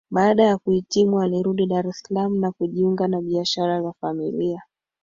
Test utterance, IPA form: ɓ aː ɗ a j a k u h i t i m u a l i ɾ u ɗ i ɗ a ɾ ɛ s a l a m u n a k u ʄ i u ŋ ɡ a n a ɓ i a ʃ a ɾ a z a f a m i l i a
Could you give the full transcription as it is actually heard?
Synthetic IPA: ɓ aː ɗ a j a k u h i t i m u a l i ɾ u ɗ i ɗ a ɾ ɛ s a l a m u n a k u ʄ i u ŋ ɡ a n a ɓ i a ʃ a ɾ a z a f a m i l i a